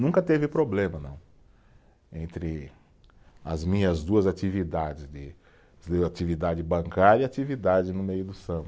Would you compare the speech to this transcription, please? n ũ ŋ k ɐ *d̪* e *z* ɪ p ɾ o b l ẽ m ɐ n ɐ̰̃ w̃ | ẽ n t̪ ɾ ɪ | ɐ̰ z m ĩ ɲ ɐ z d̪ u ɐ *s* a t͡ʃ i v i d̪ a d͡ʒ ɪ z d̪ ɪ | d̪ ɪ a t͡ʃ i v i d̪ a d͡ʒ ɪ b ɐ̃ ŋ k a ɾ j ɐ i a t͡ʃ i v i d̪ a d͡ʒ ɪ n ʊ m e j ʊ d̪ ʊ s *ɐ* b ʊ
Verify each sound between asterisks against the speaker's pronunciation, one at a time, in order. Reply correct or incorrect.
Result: incorrect: t̪, incorrect: v, incorrect: z, incorrect: ɐ̃

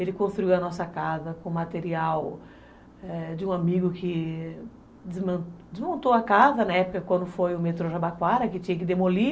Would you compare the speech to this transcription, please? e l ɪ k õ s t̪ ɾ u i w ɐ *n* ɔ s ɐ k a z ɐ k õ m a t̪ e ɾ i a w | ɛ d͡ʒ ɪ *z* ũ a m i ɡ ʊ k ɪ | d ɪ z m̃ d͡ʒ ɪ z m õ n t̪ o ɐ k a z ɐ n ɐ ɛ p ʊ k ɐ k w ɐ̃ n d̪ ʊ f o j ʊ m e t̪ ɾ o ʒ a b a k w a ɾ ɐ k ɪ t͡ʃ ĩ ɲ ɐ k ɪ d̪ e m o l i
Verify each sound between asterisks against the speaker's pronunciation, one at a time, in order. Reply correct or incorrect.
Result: correct, incorrect: none

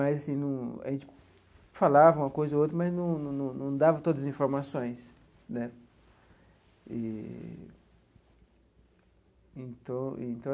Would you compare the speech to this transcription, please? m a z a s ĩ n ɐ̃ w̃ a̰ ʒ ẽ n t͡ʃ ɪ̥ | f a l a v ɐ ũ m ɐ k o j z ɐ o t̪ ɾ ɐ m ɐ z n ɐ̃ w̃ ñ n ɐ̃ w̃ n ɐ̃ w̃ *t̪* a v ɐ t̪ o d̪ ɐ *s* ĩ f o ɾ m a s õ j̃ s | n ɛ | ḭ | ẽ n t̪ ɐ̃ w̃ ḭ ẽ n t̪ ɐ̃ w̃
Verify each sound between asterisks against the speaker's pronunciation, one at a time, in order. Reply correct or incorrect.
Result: incorrect: d̪, incorrect: z

